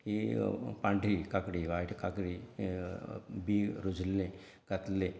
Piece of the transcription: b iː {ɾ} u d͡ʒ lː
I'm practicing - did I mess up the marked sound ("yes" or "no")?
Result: no